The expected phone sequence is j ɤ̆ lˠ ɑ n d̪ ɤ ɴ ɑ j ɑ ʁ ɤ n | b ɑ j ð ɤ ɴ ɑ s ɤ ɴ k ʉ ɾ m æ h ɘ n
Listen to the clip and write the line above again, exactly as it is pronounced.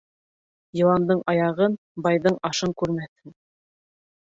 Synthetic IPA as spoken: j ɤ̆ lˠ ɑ n d̪ ɤ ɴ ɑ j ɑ ʁ ɤ n | b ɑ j ð ɤ ɴ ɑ ʃ ɤ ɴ k ʉ ɾ m æ θ ɘ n